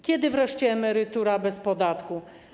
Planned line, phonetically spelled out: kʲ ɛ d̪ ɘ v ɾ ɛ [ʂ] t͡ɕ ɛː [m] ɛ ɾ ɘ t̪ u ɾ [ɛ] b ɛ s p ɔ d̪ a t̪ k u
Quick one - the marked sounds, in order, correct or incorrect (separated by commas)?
correct, correct, incorrect